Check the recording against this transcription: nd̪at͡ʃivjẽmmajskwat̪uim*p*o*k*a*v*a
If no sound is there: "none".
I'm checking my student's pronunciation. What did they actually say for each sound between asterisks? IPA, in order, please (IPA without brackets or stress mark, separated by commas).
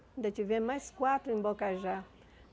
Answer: b, k, ʒ